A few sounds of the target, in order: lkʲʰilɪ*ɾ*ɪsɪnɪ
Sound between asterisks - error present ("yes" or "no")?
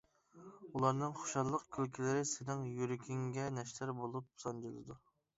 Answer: no